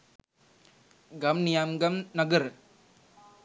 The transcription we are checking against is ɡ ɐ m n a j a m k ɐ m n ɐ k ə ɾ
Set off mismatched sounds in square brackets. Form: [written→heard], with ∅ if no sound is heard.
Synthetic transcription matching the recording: ɡ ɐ m n [a→i] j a m [k→ɡ] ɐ m n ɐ [k→ɡ] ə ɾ